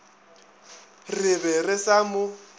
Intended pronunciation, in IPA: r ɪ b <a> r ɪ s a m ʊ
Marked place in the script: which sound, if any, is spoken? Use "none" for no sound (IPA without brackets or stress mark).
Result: ɛ